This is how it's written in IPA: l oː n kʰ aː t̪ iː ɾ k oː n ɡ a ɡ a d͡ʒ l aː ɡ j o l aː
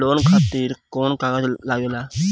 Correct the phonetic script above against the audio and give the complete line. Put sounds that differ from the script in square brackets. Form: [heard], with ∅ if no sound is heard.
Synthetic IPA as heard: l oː n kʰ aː t̪ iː ɾ k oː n [k] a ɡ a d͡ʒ l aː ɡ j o l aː